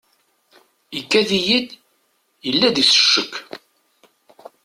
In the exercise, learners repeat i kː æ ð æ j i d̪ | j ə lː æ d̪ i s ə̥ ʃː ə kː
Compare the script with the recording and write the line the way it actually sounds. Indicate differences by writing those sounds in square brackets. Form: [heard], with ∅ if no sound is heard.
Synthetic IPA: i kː æ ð [i] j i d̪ | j ə lː æ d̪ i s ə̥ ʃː ə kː